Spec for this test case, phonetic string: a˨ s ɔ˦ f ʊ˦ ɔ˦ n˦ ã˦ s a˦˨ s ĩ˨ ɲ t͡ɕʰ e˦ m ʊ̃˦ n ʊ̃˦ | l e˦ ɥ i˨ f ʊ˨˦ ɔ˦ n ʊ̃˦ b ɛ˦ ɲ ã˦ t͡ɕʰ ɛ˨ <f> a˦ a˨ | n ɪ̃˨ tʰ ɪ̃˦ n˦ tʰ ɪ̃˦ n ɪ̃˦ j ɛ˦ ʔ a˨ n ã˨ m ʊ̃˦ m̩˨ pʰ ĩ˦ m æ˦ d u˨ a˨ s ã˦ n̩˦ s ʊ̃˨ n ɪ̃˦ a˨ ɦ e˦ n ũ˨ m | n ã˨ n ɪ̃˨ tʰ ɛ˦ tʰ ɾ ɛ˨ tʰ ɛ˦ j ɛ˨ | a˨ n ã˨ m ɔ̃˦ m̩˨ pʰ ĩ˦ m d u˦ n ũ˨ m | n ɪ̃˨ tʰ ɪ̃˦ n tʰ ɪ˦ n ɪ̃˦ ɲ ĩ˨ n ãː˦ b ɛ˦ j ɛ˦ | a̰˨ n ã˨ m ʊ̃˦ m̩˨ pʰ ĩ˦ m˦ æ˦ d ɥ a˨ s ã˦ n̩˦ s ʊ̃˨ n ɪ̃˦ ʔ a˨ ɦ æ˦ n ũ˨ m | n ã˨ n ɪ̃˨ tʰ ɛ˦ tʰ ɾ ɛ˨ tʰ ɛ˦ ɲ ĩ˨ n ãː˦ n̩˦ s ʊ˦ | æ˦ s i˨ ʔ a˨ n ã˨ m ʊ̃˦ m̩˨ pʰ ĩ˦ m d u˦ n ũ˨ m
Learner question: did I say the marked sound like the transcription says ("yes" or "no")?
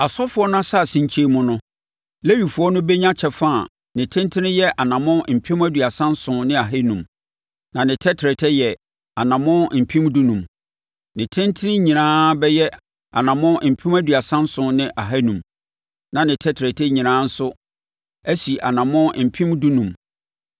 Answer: yes